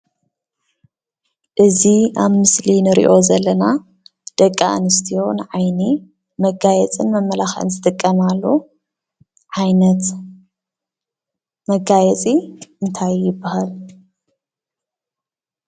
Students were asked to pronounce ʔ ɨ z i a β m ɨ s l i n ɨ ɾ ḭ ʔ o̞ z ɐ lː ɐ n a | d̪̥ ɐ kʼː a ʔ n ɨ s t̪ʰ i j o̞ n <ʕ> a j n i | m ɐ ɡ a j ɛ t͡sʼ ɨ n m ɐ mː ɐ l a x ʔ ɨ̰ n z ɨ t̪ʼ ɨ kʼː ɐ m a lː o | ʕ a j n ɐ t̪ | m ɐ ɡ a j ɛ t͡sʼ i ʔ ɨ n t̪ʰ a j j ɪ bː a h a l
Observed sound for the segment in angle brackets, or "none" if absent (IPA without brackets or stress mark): ʕ